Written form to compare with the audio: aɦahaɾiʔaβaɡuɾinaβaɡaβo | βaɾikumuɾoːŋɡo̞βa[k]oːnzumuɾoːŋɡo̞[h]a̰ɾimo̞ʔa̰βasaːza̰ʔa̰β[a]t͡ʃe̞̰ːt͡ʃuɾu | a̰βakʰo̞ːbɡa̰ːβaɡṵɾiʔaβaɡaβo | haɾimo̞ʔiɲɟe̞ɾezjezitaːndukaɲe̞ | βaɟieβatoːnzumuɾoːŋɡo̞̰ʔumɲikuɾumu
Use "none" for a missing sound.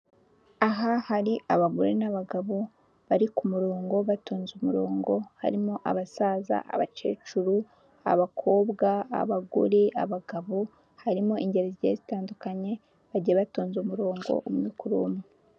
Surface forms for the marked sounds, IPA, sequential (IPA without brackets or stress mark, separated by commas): t, h, a